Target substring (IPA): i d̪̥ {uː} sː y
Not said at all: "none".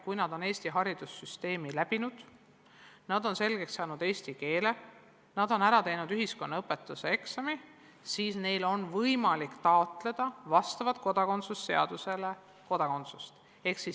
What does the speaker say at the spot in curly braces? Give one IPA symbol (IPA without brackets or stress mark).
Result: u